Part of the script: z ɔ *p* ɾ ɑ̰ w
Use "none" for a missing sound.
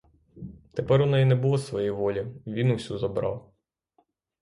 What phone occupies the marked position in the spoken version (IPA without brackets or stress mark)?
b